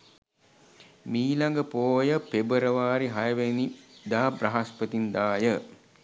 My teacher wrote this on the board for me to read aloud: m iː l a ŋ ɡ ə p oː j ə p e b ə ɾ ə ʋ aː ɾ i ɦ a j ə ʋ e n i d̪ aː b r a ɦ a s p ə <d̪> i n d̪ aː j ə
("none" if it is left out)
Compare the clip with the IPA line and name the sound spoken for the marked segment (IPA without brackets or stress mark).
t̪